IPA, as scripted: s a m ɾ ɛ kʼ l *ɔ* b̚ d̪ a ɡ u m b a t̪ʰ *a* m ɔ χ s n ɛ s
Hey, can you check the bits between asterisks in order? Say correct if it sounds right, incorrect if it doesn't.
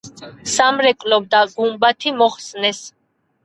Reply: correct, incorrect

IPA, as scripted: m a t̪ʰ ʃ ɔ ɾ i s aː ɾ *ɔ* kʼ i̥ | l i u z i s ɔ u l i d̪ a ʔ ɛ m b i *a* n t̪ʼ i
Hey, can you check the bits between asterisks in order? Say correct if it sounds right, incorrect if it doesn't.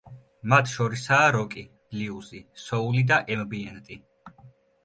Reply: correct, incorrect

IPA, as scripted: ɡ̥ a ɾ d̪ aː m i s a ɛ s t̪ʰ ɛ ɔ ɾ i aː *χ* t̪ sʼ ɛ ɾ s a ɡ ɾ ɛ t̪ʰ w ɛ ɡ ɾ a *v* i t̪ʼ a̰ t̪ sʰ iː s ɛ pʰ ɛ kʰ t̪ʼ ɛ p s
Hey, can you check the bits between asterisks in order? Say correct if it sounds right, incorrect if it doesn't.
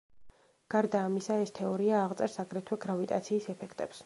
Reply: incorrect, correct

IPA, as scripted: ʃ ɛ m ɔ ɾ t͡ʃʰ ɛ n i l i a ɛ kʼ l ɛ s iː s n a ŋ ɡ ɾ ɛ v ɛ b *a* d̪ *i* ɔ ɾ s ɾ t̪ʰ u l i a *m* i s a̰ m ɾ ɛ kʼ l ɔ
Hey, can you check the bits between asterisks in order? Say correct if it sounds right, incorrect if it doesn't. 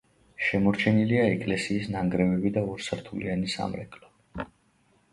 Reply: incorrect, incorrect, incorrect

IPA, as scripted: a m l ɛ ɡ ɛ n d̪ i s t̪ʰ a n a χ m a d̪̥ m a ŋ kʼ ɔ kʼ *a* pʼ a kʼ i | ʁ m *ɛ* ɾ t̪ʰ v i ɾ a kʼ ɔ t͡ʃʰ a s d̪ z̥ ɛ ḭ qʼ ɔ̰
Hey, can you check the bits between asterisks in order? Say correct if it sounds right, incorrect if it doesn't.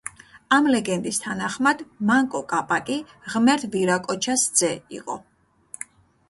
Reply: correct, correct

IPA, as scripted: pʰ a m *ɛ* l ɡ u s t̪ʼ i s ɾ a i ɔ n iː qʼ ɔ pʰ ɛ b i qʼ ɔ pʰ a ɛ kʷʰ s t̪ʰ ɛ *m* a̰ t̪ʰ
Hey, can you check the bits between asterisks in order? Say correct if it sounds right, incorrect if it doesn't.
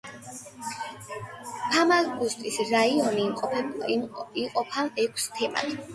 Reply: incorrect, correct

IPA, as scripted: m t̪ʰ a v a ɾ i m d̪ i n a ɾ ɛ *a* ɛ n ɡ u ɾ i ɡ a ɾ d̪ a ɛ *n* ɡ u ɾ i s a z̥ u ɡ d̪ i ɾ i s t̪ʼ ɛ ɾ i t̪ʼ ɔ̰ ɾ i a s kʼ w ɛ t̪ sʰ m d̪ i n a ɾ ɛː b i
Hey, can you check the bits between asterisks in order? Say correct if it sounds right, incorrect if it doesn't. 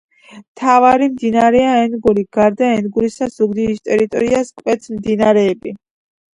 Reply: correct, correct

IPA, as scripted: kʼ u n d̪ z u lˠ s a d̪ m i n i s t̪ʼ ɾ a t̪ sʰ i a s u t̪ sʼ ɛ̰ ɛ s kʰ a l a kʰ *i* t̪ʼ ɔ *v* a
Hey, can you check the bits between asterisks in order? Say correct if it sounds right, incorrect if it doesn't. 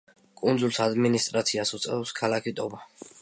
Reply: correct, incorrect

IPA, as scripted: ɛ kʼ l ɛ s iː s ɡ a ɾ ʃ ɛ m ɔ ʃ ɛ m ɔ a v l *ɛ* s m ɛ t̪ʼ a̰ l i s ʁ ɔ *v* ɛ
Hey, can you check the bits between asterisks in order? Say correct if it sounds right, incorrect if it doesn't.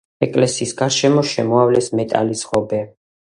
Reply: correct, incorrect

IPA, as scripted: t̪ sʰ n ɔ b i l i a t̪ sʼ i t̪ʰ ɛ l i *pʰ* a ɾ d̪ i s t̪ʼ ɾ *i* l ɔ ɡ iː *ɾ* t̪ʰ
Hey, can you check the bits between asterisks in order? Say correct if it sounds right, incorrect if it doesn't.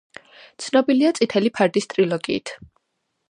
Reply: correct, correct, incorrect

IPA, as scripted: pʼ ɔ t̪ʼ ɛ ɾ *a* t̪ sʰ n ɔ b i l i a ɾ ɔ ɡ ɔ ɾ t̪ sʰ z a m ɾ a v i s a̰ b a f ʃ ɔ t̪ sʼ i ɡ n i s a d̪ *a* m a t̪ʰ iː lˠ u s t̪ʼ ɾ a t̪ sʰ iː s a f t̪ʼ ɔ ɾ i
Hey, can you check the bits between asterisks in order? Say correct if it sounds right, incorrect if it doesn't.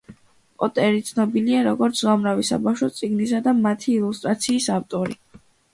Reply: incorrect, correct

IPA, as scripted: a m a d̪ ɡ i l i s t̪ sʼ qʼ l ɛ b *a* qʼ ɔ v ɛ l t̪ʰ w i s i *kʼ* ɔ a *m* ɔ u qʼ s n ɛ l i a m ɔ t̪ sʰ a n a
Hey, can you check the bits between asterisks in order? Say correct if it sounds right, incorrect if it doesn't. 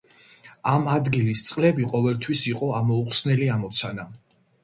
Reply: incorrect, incorrect, correct

